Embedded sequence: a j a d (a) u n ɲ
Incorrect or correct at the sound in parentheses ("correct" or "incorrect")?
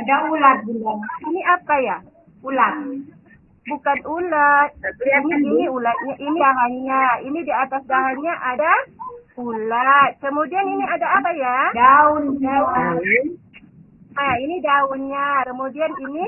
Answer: correct